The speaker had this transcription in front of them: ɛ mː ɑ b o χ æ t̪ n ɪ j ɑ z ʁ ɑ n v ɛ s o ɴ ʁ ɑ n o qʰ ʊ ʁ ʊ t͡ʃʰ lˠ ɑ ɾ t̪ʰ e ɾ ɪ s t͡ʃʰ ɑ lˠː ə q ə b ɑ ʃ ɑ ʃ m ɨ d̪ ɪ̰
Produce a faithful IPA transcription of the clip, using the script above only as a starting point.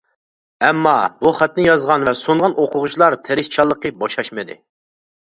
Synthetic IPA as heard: ɛ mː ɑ b u χ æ t̪ n ɪ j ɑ z ʁ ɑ n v ɛ s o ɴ ʁ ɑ n o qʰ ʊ ʁ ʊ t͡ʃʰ lˠ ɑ ɾ t̪ʰ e ɾ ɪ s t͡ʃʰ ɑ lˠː ə q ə b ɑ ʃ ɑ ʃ m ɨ d̪ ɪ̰